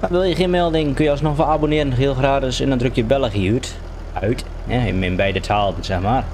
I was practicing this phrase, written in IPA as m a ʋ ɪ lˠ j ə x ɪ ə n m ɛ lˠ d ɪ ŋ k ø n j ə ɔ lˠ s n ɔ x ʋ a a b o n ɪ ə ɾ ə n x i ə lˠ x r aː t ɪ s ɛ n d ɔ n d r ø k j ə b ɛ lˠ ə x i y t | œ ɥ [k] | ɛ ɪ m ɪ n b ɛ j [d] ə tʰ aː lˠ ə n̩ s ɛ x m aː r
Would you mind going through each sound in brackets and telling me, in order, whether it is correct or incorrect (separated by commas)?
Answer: incorrect, correct